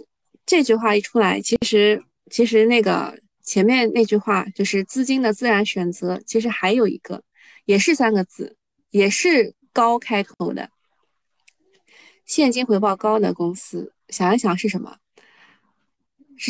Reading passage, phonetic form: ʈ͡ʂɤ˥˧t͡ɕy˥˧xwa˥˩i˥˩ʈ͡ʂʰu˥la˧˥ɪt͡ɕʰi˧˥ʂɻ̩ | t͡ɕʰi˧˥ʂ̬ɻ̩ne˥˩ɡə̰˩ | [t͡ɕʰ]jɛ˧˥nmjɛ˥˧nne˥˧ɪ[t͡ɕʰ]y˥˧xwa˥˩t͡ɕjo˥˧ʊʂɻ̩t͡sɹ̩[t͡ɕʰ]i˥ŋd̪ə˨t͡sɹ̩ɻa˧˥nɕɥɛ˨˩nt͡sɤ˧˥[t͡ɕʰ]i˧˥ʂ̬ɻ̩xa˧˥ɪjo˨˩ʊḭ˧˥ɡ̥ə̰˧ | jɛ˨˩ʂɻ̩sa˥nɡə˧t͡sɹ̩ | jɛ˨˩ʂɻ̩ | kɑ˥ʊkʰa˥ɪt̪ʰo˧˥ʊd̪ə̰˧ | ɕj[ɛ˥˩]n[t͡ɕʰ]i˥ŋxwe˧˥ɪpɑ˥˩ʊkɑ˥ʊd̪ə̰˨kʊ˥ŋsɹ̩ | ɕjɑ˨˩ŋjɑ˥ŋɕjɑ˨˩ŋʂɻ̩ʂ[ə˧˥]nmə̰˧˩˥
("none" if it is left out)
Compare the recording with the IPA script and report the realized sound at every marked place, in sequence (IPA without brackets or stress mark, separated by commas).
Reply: t͡ɕʰ, t͡ɕ, t͡ɕ, t͡ɕʰ, ɛ˥˩, t͡ɕ, ə˧˥